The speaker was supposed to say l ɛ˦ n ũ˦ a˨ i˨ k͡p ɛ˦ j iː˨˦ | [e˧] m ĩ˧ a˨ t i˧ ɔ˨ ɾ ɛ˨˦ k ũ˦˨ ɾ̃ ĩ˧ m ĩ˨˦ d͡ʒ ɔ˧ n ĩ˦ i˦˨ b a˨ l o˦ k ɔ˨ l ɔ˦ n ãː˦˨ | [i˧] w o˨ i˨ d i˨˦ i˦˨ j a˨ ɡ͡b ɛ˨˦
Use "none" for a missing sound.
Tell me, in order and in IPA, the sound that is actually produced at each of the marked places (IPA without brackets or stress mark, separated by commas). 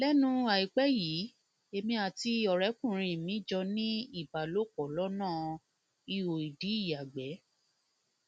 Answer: e˧, i˧